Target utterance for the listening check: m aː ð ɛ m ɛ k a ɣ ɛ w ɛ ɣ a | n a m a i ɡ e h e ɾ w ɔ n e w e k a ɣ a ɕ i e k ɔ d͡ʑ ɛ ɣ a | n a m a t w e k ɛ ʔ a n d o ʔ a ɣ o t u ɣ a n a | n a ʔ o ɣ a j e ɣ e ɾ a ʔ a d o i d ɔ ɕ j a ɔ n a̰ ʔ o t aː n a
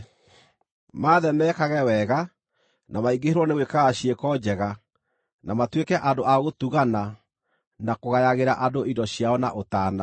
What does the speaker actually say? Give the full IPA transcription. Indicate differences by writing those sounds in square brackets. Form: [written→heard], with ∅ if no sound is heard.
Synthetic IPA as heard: m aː ð ɛ m ɛ k a ɣ ɛ w ɛ ɣ a | n a m a i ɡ e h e ɾ w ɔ n e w e k a ɣ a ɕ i e k ɔ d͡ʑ ɛ ɣ a | n a m a t w e k ɛ ʔ a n d o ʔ a ɣ o t u ɣ a n a | n a [ʔ→k] o ɣ a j [e→a] ɣ e ɾ a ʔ a d o i d ɔ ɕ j a ɔ n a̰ ʔ o t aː n a

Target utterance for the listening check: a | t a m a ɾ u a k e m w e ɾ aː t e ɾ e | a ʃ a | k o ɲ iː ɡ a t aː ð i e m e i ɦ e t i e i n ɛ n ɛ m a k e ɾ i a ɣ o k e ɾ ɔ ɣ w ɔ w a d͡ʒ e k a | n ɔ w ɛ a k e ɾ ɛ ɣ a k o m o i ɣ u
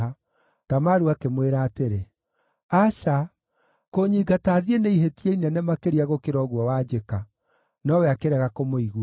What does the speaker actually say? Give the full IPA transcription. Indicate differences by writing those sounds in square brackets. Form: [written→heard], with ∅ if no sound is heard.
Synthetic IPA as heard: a | t a m a ɾ u a k e m w e ɾ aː t e ɾ e | a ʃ a | k o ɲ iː ɡ a t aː ð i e [m→n] e i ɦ e t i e i n ɛ n ɛ m a k e ɾ i a ɣ o k e ɾ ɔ ɣ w ɔ w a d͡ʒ e k a | n ɔ w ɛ a k e ɾ ɛ ɣ a k o m o i ɣ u

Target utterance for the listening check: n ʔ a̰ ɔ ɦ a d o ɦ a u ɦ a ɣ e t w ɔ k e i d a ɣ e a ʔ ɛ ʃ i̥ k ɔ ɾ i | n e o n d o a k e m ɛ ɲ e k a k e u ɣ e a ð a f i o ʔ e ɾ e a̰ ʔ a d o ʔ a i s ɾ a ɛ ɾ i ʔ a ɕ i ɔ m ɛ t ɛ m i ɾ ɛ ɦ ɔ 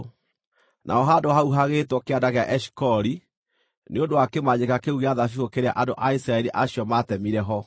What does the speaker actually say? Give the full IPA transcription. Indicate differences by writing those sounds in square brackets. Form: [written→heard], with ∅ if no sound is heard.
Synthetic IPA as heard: n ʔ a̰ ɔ ɦ a d o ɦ a u ɦ a ɣ e t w ɔ k e [i→a] d a ɣ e a ʔ ɛ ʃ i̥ k ɔ ɾ i | n e o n d o a k e m [ɛ→a] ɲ e k a k e u ɣ e a ð a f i o [ʔ→k] e ɾ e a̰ ʔ a d o ʔ a i s ɾ a ɛ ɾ i ʔ a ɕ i ɔ m [ɛ→a] t ɛ m i ɾ ɛ ɦ ɔ

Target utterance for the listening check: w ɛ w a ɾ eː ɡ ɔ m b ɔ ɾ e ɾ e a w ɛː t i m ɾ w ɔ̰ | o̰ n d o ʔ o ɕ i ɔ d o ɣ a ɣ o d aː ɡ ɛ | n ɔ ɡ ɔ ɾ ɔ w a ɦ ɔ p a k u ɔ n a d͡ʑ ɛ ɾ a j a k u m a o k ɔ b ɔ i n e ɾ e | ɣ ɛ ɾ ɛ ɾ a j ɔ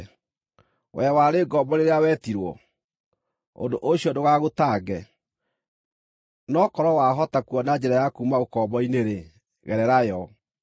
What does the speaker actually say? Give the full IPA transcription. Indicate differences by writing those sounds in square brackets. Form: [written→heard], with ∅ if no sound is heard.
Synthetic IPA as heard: w ɛ w a ɾ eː ɡ ɔ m b ɔ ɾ e ɾ e a w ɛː t i [m→∅] ɾ w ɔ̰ | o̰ n d o ʔ o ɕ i ɔ d o ɣ a ɣ o [d→t] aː ɡ ɛ | n ɔ [ɡ→k] ɔ ɾ ɔ w a ɦ ɔ [p→t] a k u ɔ n a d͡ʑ ɛ ɾ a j a k u m a o k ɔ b ɔ i n e ɾ e | ɣ ɛ ɾ ɛ ɾ a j ɔ

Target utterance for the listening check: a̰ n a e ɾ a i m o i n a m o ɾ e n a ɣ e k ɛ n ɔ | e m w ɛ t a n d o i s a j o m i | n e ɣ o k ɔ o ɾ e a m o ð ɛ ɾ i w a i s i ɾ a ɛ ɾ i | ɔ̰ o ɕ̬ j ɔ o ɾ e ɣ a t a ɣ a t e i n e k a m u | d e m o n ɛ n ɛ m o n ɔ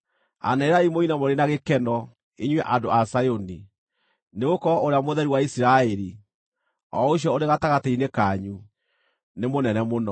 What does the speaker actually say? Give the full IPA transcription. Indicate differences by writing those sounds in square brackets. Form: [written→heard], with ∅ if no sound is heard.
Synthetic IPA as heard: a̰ n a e ɾ a i m o i n a m o ɾ e n a ɣ e k ɛ n ɔ | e [m→ɲ] w ɛ [t→ʔ] a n d o [i→a] s a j o [m→n] i | n e ɣ o k ɔ o ɾ e a m o ð ɛ ɾ i w a i s i ɾ a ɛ ɾ i | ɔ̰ o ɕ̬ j ɔ o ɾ e ɣ a t a ɣ a t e i n e k a [m→ɲ] u | [d→n] e m o n ɛ n ɛ m o n ɔ

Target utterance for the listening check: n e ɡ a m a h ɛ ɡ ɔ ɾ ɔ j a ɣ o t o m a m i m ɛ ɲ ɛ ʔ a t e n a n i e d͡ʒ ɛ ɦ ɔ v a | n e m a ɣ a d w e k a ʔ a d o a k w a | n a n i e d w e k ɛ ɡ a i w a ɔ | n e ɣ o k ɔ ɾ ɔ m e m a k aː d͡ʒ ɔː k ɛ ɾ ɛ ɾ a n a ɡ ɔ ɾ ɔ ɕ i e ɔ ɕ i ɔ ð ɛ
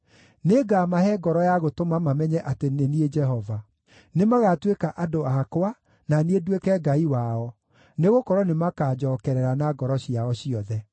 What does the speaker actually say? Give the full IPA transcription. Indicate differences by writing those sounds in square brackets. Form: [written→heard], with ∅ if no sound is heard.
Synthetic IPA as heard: n e ɡ a m a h ɛ ɡ ɔ ɾ ɔ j a ɣ o t o m a m [i→a] m ɛ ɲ ɛ ʔ a t e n [a→e] n i e d͡ʒ ɛ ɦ ɔ v a | n e m a ɣ a [d→t] w e k a ʔ a d o a k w a | n a n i e d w e k ɛ ɡ a i w a ɔ | n e ɣ o k ɔ ɾ ɔ [m→n] e m a k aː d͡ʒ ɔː k ɛ ɾ ɛ ɾ a n a ɡ ɔ ɾ ɔ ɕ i [e→a] ɔ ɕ i ɔ ð ɛ

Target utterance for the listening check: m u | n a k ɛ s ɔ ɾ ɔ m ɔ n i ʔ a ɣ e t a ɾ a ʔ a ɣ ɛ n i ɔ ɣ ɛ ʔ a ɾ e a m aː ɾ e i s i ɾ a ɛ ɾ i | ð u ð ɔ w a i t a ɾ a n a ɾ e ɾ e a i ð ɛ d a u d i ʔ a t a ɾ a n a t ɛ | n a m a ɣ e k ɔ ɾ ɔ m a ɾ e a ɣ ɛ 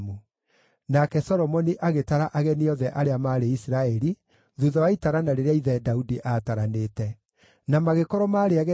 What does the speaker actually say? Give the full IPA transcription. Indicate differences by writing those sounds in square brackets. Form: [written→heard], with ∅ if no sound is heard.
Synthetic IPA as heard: m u | n a k ɛ s ɔ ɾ ɔ m ɔ n i ʔ a ɣ e t a ɾ a ʔ a ɣ ɛ n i ɔ [ɣ→ð] ɛ ʔ a ɾ e a m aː ɾ e i s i ɾ a ɛ ɾ i | ð u ð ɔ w a i t a ɾ a n a ɾ e ɾ e a i ð ɛ d a u d i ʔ a t a ɾ a n [a→e] t ɛ | n a m a ɣ e k ɔ ɾ ɔ m a ɾ e a ɣ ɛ

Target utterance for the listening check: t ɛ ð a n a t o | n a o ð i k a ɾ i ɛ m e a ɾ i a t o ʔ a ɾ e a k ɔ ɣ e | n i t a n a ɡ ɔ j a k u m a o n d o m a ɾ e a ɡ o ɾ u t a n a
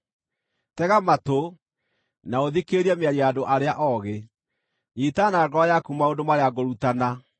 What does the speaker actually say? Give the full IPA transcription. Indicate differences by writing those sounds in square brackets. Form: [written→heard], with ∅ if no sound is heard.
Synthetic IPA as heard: t ɛ [ð→ɣ] a [n→m] a t o | n a o ð i k [a→e] ɾ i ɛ m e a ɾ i a [t→d] o ʔ a ɾ e a [k→ʔ] ɔ ɣ e | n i t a n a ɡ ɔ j a k u m a o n d o m a ɾ e a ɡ o ɾ u t a n a

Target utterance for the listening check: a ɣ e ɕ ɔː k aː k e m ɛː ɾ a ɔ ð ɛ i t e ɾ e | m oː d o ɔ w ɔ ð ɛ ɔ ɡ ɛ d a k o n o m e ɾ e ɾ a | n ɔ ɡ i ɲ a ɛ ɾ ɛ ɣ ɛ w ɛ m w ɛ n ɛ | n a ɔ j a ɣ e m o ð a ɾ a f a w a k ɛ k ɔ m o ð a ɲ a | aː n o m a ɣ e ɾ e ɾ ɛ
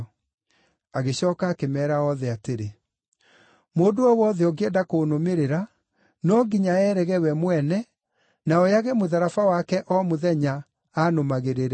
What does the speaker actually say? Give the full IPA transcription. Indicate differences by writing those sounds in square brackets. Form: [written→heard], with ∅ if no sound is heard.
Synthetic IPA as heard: a ɣ e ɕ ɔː k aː k e m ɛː ɾ a ɔ ð ɛ [i→a] t e ɾ e | m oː d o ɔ w ɔ ð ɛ ɔ ɡ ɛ d a k o n o m e ɾ e ɾ a | n ɔ ɡ i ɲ a ɛ ɾ ɛ ɣ ɛ w ɛ m w ɛ n ɛ | n a ɔ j a ɣ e m o ð a ɾ a f a w a k ɛ [k→ʔ] ɔ m o ð [a→ɛ] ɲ a | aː n o m a ɣ e ɾ e ɾ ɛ

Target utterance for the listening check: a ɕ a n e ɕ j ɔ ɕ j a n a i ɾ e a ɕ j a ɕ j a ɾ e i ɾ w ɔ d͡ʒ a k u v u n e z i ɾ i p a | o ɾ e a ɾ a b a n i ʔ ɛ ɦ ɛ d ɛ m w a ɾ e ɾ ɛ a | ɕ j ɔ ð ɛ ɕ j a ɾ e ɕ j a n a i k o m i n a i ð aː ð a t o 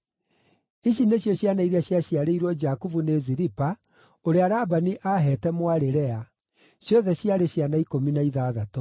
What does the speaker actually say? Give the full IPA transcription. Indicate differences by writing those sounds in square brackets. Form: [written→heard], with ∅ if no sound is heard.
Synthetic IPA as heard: [a→i] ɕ [a→i] n e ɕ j ɔ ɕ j a n a i ɾ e a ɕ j a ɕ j a ɾ e i ɾ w ɔ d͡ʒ a k u v u n e z i ɾ i p a | o ɾ e a ɾ a b a n i ʔ [ɛ→a] ɦ ɛ [d→t] ɛ m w a ɾ e ɾ ɛ a | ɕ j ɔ ð ɛ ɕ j a ɾ e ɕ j a n a i k o m i n a i ð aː ð a t o

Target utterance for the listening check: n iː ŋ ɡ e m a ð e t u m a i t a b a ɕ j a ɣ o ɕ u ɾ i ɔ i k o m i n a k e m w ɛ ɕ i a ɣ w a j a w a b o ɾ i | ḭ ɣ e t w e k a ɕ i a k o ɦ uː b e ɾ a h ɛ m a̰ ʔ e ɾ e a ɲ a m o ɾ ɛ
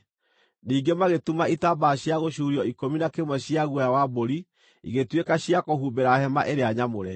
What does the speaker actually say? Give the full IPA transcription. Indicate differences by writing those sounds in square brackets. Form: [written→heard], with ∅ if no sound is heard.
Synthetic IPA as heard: n iː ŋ ɡ e m a [ð→ɣ] e t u m a i t a b a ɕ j a ɣ o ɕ u ɾ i ɔ i k o m i n a k e m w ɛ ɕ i a ɣ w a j a w a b o ɾ i | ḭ ɣ e t w e k a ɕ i a k o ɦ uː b e ɾ a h ɛ m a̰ ʔ e ɾ e a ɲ a m o ɾ ɛ

